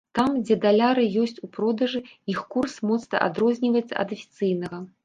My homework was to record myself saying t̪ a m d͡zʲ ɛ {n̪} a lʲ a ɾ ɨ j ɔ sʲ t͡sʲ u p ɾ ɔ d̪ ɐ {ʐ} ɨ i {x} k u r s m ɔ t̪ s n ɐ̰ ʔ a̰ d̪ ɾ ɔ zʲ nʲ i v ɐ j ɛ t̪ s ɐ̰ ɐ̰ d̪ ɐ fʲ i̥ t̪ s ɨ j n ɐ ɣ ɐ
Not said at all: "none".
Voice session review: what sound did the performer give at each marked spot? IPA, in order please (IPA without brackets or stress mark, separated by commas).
d̪, ʐ, x